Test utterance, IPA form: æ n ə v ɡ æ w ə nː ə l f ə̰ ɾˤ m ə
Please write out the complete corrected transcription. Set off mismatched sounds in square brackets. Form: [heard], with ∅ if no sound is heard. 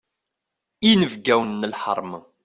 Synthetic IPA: [i] n ə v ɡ æ w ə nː ə l [ħ] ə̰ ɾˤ m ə